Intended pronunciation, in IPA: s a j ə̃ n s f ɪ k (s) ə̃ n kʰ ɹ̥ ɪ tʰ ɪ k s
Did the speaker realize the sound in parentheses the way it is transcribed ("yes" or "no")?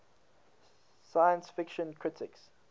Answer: no